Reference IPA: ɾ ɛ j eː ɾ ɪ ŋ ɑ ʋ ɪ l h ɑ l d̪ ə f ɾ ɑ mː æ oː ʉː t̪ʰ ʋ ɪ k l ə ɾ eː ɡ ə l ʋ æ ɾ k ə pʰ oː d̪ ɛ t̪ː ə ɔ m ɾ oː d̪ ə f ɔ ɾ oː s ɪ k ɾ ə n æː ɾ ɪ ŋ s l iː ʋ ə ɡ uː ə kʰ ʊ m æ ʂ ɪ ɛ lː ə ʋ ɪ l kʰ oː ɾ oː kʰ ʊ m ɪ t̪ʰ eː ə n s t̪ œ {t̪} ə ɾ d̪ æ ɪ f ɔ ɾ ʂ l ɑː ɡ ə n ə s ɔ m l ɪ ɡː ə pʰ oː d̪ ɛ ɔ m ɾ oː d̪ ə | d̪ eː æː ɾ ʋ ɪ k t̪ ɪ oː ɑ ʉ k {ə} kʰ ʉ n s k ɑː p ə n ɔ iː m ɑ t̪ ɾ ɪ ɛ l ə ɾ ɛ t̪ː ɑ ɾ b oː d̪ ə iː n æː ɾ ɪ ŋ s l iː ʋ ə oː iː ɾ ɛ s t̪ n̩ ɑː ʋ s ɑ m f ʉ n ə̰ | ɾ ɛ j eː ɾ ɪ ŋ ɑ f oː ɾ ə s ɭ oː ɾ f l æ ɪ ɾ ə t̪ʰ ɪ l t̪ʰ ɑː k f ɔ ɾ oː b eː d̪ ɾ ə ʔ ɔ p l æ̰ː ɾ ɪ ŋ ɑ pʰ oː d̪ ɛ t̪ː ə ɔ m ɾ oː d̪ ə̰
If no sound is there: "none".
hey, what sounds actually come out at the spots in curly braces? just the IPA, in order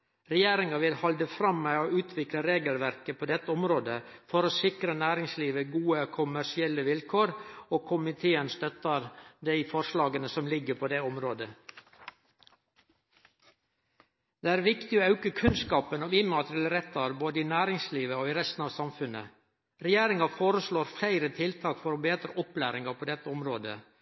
t̪, ə

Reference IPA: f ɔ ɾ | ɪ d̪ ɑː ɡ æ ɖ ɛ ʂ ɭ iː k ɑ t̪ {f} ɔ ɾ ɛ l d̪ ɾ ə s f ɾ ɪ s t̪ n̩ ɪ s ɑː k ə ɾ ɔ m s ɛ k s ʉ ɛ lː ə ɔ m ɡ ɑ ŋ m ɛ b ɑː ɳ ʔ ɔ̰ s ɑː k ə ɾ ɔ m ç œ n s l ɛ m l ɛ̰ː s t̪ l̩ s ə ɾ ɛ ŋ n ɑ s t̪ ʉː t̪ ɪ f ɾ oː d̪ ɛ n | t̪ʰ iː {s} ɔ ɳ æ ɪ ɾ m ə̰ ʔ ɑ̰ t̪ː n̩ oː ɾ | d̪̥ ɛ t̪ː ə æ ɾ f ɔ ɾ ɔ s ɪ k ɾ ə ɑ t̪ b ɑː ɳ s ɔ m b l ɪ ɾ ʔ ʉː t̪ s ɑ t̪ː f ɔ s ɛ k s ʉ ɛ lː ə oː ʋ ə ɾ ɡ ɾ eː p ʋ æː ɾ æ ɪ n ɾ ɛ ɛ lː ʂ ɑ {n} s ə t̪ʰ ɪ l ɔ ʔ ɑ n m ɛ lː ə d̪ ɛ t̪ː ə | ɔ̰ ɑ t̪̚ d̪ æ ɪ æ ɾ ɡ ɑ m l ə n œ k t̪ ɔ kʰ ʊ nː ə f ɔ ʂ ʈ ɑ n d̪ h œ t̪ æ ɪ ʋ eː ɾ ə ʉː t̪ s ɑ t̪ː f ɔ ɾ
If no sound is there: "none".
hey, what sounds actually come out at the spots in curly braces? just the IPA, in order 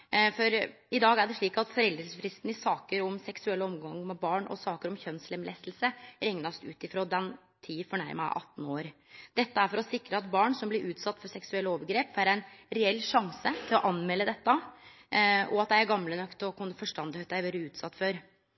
f, f, ŋ

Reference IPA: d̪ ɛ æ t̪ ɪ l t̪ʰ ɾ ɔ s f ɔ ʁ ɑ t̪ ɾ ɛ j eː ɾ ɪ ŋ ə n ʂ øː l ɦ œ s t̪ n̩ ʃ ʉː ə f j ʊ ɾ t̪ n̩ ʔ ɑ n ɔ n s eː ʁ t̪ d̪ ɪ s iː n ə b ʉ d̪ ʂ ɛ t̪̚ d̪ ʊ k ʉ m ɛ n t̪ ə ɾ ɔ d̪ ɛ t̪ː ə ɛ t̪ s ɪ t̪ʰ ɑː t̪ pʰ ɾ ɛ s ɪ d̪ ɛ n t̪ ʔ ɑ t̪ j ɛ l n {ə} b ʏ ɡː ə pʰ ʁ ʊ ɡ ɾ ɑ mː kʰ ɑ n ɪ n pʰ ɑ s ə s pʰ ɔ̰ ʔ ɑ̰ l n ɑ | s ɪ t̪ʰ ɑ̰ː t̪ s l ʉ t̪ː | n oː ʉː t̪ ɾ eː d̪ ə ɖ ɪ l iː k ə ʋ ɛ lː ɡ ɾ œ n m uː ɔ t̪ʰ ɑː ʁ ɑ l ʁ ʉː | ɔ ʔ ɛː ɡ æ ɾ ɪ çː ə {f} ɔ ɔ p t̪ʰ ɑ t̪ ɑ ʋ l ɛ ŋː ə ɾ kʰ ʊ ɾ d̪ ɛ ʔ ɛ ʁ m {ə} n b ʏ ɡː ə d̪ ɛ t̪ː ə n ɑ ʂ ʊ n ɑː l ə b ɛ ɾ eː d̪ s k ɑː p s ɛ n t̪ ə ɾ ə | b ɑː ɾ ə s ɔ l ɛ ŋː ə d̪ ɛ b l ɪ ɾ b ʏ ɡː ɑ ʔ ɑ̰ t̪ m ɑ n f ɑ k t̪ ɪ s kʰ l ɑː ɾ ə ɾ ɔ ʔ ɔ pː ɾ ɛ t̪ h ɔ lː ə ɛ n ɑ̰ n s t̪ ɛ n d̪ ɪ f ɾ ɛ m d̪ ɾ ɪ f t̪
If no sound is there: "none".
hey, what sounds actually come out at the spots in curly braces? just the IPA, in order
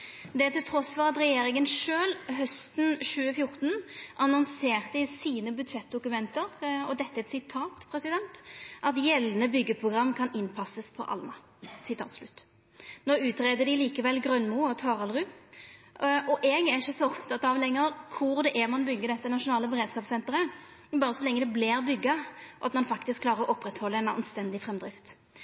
ə, s, ɑ

